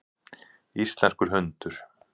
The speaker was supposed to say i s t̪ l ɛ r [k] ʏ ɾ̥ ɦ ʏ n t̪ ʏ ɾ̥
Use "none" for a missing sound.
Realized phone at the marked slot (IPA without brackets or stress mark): k